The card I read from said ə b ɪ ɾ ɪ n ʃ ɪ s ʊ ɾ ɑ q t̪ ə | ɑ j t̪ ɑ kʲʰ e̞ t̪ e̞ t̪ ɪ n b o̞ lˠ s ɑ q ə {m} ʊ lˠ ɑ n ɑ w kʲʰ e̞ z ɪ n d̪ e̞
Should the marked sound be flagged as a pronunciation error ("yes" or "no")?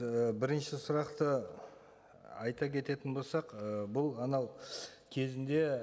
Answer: yes